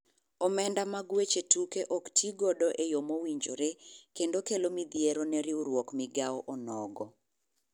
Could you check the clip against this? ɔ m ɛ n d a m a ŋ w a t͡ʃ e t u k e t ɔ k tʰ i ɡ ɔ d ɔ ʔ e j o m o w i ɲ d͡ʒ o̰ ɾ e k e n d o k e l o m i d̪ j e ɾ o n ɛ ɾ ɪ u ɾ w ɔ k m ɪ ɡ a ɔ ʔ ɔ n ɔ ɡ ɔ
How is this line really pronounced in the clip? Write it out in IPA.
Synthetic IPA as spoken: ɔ m ɛ n d a m a ɡ w e t͡ʃ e t u k e ʔ ɔ k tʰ i ɡ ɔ d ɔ ʔ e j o m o w i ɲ d͡ʒ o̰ ɾ e k e n d o k e l o m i d̪ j e ɾ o n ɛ ɾ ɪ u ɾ w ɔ k m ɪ ɡ a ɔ ʔ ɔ n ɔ ɡ ɔ